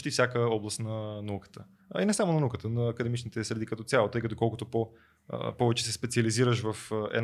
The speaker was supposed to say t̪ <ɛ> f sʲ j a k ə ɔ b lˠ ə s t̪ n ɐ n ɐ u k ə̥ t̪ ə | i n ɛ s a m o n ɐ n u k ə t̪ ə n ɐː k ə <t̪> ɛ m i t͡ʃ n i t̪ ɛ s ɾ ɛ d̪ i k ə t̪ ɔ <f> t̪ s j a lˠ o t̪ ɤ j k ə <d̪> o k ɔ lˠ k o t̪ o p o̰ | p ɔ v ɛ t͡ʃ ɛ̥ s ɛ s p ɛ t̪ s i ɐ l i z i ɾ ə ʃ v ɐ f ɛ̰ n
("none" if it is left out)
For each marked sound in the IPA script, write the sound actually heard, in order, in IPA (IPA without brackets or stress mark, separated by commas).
i, d̪, none, t̪